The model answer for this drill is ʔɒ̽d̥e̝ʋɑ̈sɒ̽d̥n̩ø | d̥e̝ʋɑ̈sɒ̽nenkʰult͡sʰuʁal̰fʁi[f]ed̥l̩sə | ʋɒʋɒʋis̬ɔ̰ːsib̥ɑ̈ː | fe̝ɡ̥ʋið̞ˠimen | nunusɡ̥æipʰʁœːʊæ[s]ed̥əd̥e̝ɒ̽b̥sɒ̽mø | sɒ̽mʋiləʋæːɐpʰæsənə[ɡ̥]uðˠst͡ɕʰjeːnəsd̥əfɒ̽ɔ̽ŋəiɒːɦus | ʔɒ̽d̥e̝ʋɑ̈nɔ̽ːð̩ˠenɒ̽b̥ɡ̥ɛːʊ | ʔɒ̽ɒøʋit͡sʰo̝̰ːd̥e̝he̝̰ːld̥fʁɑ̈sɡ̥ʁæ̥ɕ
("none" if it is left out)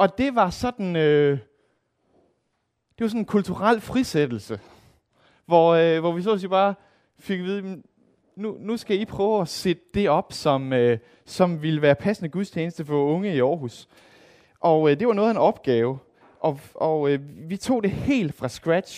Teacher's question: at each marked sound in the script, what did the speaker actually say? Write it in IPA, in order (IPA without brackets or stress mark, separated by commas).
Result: s, s, ɡ̥